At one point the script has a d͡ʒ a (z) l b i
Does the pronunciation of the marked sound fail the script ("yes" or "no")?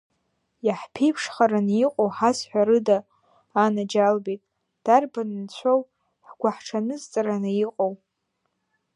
yes